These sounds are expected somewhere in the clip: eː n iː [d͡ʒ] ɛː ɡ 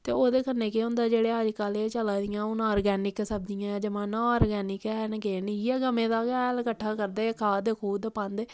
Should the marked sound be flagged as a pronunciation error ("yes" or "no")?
yes